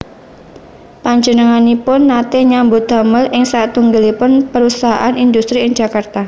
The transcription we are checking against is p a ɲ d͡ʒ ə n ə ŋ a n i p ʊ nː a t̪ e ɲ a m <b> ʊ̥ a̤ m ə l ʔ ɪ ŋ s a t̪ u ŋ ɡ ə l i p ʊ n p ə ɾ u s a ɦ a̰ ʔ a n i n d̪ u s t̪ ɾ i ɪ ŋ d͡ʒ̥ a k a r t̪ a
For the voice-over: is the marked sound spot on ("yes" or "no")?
yes